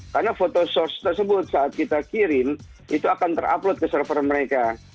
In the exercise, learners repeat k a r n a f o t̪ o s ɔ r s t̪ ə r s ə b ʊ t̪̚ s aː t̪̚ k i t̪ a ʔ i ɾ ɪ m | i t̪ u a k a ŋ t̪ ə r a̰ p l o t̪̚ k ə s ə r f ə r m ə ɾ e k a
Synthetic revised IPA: k a r n a f o t̪ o s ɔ r s t̪ ə r s ə b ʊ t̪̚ s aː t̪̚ k i t̪ a k i ɾ ɪ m | i t̪ u a k a n t̪ ə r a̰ p l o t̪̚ k ə s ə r f ə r m ə ɾ e k a